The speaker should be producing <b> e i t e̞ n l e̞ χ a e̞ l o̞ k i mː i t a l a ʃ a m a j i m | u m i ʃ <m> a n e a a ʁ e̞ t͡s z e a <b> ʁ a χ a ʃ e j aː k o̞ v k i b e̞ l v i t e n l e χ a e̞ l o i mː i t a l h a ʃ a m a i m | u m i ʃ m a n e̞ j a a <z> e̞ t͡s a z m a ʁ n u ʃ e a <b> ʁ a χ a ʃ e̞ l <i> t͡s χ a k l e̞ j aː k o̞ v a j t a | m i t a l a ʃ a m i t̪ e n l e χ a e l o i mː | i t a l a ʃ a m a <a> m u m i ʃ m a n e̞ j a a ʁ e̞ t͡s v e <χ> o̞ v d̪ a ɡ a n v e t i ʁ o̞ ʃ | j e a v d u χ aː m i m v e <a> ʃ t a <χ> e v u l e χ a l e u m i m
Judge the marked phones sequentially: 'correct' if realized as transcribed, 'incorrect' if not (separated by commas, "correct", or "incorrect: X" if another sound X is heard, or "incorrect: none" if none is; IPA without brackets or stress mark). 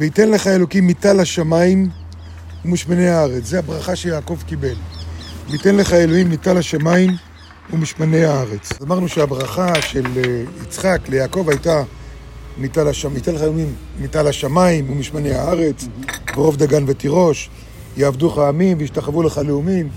incorrect: v, correct, correct, incorrect: ʁ, correct, correct, incorrect: i, incorrect: ʁ, incorrect: i, correct